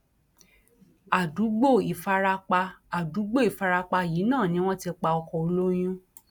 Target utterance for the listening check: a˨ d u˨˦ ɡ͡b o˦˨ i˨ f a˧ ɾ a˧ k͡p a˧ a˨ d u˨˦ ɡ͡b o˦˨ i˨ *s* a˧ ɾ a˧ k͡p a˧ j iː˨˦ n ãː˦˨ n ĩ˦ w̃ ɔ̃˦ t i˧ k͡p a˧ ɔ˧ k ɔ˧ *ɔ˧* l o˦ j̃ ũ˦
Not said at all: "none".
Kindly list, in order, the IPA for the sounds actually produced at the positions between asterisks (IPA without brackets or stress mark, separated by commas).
f, o˧